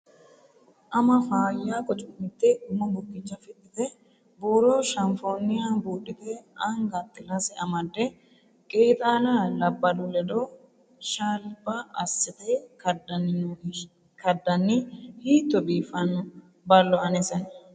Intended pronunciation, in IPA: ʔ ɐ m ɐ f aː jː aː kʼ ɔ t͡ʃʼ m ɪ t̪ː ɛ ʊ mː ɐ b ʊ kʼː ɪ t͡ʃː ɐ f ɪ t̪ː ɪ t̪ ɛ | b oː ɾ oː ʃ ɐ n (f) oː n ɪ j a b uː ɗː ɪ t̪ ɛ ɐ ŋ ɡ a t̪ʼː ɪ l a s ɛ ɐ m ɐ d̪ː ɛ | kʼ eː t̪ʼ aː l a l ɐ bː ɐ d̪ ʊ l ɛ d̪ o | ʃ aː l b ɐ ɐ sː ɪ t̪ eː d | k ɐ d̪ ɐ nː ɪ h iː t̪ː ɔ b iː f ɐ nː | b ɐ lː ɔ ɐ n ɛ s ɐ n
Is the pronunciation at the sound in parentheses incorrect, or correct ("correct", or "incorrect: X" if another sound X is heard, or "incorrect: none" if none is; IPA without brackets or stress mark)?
correct